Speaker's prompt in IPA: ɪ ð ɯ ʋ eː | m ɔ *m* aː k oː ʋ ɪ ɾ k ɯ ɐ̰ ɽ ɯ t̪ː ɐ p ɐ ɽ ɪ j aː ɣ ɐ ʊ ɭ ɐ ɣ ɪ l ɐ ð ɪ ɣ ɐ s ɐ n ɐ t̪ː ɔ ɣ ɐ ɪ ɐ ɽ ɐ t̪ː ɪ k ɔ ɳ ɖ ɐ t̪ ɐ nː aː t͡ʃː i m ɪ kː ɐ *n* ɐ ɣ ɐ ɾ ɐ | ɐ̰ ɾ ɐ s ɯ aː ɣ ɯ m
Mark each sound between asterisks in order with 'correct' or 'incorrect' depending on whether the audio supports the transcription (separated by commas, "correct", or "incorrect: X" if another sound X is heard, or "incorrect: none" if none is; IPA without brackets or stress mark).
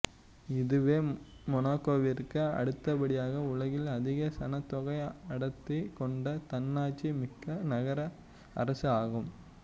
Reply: incorrect: n, correct